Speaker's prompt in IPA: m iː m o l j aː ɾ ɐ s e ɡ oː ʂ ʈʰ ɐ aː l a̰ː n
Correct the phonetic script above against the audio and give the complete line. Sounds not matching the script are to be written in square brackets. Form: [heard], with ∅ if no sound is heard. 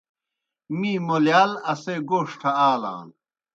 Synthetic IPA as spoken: m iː m o l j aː [l] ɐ s e ɡ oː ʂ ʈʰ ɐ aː l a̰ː n